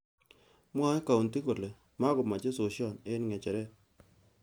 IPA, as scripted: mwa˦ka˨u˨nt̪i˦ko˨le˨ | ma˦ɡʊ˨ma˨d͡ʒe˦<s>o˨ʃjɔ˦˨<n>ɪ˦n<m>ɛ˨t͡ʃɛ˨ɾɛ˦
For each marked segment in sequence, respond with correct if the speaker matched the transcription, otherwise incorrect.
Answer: correct, correct, incorrect

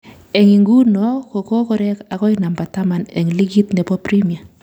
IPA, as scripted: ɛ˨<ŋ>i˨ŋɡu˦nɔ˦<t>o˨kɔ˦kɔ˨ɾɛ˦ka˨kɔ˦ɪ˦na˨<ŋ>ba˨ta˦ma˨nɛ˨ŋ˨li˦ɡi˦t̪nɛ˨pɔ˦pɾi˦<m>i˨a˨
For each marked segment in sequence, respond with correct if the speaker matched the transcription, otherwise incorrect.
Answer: correct, incorrect, incorrect, correct

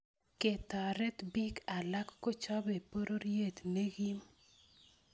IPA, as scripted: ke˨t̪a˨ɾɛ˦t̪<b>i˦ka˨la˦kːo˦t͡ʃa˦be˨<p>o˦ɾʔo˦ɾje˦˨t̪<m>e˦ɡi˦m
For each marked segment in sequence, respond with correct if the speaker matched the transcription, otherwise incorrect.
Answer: correct, correct, incorrect

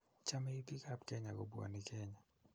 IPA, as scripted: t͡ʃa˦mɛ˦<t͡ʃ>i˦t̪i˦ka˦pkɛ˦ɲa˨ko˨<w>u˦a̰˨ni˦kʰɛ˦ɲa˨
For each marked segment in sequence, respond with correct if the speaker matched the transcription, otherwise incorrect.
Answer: incorrect, incorrect

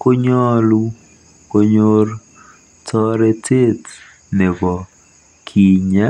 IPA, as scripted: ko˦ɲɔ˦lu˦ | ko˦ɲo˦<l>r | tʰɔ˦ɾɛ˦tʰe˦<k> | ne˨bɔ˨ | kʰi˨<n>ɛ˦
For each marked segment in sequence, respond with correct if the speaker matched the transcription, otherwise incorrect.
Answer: incorrect, incorrect, incorrect

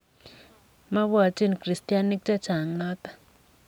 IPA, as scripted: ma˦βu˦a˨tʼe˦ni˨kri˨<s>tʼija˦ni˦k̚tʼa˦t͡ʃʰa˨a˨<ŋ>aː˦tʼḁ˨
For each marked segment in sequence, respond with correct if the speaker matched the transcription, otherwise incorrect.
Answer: correct, correct

